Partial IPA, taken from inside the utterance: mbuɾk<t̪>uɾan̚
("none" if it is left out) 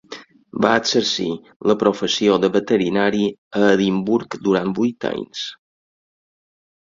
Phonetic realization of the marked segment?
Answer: d̪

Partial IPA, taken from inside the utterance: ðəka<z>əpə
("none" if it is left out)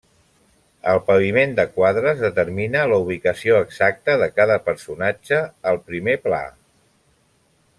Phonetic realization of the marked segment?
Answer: ð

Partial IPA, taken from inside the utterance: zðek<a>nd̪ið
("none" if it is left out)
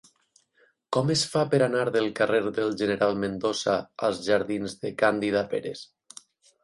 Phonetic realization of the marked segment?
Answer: a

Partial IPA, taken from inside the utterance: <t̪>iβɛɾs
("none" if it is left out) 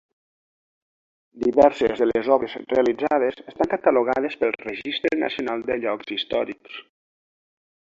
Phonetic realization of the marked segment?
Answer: d̪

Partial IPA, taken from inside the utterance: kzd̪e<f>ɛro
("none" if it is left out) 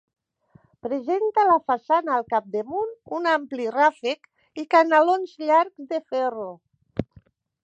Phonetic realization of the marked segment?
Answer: f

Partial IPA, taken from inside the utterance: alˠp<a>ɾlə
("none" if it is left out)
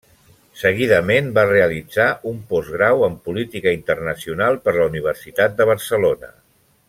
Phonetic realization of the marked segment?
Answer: ə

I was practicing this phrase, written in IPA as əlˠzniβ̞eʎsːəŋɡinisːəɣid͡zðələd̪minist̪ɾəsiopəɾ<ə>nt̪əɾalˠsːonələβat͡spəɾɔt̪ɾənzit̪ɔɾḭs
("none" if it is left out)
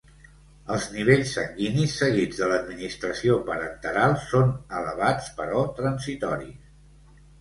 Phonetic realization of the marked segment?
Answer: ə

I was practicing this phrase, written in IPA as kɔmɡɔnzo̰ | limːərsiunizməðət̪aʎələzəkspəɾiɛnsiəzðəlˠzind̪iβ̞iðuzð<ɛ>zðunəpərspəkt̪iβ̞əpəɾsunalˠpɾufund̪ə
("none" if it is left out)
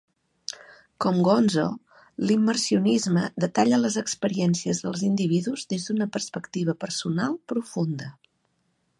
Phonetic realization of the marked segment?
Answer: e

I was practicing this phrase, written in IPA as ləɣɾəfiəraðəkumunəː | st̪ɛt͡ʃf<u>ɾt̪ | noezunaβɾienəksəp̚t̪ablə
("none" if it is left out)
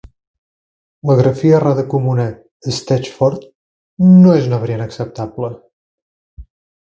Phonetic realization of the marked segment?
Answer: ɔ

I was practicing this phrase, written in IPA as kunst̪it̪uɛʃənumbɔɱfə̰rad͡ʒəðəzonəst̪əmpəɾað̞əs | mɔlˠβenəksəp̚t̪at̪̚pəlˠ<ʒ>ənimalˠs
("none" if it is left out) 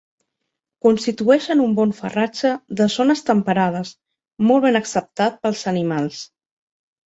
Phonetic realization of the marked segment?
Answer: z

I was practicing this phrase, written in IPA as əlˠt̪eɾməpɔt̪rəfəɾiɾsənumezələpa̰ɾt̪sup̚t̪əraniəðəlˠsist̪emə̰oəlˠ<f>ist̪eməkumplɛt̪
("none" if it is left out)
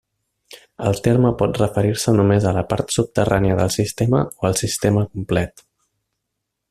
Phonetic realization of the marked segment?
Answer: s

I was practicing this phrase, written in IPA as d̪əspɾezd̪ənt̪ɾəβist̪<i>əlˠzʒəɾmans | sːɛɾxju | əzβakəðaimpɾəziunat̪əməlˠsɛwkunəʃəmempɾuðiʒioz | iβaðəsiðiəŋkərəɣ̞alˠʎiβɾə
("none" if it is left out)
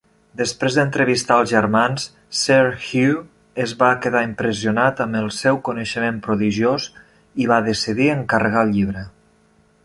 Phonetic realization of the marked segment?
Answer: a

